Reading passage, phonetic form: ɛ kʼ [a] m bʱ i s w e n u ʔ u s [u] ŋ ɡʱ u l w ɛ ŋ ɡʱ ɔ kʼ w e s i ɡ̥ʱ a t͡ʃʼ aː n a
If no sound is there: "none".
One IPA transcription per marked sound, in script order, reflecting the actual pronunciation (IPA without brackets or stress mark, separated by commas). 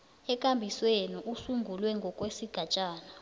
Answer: a, u